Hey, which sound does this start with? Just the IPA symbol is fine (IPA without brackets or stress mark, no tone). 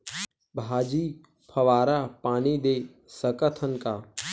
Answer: bʱ